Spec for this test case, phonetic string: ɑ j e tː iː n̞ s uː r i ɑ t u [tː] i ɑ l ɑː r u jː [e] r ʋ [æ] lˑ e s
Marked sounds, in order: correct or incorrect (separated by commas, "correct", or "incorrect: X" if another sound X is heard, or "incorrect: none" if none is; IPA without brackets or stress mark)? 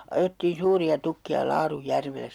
incorrect: kː, incorrect: æ, incorrect: e